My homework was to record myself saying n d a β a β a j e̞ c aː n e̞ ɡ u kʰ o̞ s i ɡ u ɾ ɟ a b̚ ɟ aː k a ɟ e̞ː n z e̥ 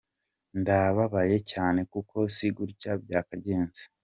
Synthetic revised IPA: n d a β a β a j e̞ c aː n e̞ k u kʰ o̞ s i ɡ u ɾ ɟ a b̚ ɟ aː k a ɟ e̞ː n z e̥

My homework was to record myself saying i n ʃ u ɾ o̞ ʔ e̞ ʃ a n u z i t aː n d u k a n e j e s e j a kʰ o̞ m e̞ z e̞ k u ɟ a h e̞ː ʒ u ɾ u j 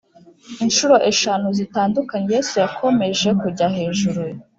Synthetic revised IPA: i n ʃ u ɾ o̞ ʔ e̞ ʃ a n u z i t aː n d u k a ɲ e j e s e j a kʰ o̞ m e̞ ʒ e̞ k u ɟ a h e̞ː ʒ u ɾ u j

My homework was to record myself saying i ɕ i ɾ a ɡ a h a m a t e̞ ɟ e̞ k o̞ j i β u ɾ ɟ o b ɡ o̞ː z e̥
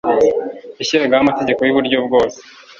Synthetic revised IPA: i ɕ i ɾ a ɡ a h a m a t e̞ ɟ e̞ k o̞ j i β u ɾ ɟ o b ɡ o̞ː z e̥

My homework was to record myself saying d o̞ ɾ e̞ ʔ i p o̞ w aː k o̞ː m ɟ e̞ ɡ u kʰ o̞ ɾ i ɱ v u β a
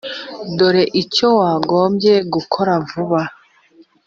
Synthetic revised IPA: d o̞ ɾ e̞ ʔ i c o̞ w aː ɡ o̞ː m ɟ e̞ ɡ u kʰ o̞ ɾ a ɱ v u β a

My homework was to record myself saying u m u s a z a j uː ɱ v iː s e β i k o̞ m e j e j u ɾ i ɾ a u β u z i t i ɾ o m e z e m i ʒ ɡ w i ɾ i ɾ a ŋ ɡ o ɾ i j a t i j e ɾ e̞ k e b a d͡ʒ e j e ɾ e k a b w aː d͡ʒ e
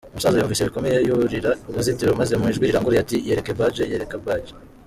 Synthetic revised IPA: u m u s a z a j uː ɱ v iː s e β i k o̞ m e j e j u ɾ i ɾ a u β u z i t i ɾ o m a z e m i ʒ ɡ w i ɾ i ɾ a ŋ ɡ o ɾ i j a t i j e ɾ e̞ k e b a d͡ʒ e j e ɾ e k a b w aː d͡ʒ e

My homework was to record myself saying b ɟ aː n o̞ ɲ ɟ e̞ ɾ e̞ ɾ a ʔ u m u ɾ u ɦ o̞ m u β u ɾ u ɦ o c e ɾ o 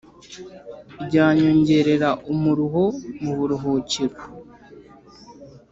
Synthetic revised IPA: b ɟ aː ɲ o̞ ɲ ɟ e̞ ɾ e̞ ɾ a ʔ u m u ɾ u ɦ o̞ m u β u ɾ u ɦ o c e ɾ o

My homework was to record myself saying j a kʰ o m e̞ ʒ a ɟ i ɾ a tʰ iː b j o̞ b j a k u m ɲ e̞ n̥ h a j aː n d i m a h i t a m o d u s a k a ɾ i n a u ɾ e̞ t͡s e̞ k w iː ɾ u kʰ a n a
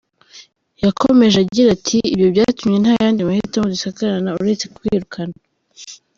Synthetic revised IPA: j a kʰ o m e̞ ʒ a ɟ i ɾ a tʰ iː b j o̞ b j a t u m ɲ e̞ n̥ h a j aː n d i m a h i t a m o d u s a k a ɾ a n a u ɾ e̞ t͡s e̞ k w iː ɾ u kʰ a n a

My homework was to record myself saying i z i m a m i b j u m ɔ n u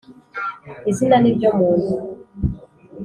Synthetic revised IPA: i z i n a n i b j ɔ m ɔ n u

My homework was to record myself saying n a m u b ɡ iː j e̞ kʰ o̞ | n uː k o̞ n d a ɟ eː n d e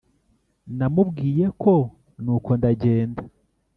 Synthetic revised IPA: n a m u b ɡ iː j e̞ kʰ o̞ | n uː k o̞ n d a ɟ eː n d a

